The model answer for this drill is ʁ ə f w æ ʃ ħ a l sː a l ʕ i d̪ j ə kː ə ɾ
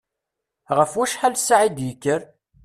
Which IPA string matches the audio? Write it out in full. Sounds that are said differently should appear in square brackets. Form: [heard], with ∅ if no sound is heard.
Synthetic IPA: ʁ ə f w æ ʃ ħ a l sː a [∅] ʕ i d̪ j ə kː ə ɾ